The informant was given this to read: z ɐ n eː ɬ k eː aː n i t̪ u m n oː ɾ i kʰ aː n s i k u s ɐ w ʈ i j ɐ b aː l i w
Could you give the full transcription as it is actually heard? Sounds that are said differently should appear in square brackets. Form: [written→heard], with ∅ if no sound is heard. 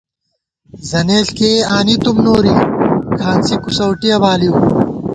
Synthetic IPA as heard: z ɐ n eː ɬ k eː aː n i t̪ u m n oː ɾ i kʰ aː n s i k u s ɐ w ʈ i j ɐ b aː l i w